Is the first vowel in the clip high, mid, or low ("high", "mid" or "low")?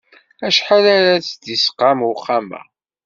low